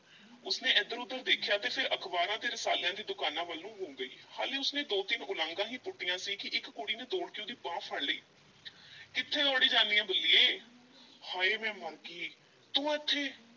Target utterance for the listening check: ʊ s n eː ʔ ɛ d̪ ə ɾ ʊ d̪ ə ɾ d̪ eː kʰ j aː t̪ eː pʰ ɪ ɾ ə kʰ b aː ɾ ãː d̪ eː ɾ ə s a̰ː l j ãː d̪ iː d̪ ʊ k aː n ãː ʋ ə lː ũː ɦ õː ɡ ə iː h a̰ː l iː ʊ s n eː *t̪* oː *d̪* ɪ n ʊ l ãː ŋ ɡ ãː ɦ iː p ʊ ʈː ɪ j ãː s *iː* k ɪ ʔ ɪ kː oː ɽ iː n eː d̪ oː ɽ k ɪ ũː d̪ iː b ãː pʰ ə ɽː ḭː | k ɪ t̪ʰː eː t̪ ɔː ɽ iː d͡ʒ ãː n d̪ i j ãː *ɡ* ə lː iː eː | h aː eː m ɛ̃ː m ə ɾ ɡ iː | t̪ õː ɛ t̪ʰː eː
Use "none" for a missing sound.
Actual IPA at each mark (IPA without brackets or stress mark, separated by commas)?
d̪, t̪, iː, b